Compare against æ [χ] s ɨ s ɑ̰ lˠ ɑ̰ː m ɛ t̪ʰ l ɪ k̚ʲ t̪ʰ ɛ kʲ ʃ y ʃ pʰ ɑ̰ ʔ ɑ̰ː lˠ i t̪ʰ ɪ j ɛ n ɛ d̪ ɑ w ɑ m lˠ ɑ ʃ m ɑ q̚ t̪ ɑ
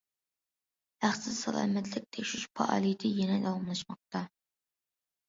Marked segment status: correct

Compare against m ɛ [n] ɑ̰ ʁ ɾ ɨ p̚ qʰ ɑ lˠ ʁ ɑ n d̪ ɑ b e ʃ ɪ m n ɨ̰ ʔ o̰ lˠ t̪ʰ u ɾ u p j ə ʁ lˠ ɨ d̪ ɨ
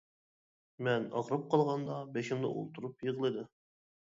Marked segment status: correct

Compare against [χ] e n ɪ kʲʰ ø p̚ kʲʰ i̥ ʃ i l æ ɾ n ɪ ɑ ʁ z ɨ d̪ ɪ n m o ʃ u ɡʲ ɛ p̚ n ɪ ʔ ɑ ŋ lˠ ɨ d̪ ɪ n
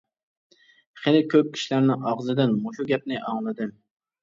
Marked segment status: correct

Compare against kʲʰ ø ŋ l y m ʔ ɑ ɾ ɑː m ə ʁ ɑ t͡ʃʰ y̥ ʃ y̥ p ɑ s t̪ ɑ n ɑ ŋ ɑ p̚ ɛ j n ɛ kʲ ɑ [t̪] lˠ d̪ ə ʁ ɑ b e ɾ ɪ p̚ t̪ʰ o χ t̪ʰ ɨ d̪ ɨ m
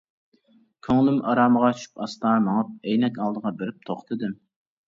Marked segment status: incorrect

